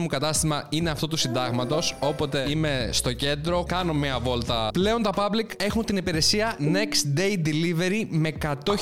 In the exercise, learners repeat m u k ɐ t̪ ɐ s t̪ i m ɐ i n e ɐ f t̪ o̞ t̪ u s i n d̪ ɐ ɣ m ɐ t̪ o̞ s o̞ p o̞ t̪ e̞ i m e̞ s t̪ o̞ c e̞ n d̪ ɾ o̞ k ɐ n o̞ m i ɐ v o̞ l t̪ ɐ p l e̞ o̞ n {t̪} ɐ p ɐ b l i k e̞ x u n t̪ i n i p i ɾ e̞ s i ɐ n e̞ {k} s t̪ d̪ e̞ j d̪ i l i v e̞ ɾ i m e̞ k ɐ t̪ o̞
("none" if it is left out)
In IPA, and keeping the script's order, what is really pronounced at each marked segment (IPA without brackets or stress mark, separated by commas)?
t̪, k